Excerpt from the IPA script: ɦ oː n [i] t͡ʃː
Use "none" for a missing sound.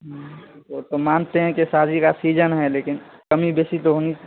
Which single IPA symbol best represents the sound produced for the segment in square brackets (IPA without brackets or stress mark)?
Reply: i